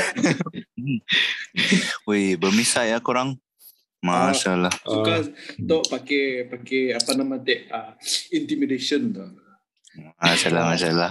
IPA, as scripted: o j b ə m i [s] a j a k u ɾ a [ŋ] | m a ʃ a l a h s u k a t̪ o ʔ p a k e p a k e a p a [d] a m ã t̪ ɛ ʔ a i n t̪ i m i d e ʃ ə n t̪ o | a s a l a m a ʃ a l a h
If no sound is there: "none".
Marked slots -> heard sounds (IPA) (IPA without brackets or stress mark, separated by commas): s, ŋ, n